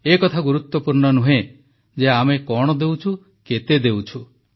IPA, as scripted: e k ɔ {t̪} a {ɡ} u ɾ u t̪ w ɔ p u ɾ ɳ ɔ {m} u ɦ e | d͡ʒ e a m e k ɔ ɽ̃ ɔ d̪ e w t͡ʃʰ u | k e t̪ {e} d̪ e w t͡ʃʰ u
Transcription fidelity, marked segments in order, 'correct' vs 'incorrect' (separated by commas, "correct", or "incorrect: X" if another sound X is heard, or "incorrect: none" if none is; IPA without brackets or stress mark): incorrect: t̪ʰ, correct, incorrect: n, correct